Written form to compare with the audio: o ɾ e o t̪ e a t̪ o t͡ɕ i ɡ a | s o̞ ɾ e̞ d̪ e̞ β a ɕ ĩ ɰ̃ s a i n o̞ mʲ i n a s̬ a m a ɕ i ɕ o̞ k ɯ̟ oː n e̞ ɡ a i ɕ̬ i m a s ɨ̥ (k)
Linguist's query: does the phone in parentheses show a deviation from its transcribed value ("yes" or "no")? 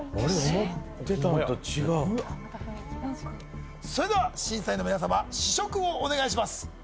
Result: yes